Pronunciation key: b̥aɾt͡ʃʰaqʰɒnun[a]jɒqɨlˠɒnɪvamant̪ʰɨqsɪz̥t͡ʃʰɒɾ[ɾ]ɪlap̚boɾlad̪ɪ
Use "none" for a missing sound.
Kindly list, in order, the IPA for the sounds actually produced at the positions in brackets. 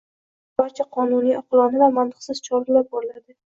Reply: i, ɾ

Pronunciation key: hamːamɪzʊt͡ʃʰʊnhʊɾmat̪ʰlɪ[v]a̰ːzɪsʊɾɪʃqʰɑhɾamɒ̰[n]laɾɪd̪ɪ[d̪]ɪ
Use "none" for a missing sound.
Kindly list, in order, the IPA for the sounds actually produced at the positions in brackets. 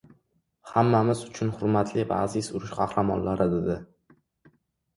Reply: v, n, d̪

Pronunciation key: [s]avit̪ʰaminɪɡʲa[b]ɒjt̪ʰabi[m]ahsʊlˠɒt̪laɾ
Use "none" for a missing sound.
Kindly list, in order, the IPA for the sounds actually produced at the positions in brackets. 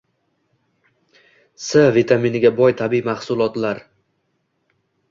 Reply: s, b, m

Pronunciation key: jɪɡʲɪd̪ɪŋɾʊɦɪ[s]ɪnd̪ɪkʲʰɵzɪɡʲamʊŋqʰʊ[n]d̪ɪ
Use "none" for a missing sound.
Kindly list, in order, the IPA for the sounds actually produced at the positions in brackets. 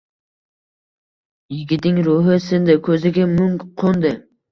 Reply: s, n

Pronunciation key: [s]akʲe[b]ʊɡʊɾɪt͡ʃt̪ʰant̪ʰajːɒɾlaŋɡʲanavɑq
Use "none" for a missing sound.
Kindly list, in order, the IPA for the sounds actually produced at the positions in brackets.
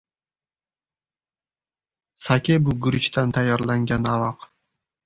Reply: s, b

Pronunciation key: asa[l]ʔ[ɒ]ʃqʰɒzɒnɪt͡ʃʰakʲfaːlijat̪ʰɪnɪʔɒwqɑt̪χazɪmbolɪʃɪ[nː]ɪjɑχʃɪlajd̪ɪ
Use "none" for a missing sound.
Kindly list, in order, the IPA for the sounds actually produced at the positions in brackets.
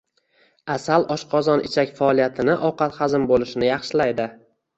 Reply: l, ɒ, n

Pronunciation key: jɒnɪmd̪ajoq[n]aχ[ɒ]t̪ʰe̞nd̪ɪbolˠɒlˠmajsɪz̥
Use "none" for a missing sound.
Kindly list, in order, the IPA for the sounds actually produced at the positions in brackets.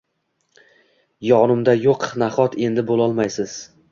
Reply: n, ɒ

